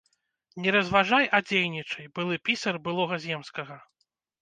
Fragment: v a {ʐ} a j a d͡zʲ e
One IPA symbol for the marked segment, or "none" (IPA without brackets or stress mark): ʐ